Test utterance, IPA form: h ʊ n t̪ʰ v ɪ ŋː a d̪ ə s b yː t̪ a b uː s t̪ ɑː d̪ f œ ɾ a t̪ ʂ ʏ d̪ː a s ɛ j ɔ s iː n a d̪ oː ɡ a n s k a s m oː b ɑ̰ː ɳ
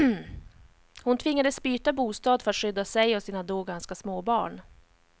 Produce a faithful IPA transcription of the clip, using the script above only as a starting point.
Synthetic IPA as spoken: h ʊ n t̪ʰ v ɪ ŋː a d̪ ə s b yː t̪ a b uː s t̪ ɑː d̪ f œ ɾ a t̪ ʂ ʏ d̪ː a s ɛ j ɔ s iː n a d̪ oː ɡ a n s k a s m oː b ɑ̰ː ɳ